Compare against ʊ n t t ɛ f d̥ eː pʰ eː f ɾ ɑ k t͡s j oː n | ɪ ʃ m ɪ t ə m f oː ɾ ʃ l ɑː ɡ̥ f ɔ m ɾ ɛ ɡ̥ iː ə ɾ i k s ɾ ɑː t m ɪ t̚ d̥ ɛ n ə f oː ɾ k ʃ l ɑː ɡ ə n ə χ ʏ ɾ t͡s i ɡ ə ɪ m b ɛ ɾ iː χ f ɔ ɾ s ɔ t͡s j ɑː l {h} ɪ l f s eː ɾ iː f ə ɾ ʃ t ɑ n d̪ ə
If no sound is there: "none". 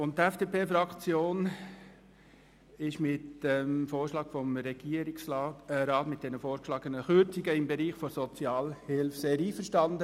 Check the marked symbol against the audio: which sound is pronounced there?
h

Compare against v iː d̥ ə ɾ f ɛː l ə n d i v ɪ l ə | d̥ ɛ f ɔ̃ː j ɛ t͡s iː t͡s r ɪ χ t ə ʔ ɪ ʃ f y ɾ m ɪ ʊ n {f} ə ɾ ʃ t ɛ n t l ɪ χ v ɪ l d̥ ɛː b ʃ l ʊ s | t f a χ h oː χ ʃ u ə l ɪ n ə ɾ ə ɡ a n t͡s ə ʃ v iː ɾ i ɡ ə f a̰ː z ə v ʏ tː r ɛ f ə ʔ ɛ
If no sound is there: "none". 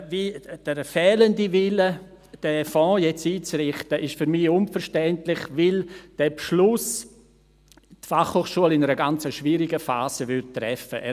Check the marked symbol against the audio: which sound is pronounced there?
f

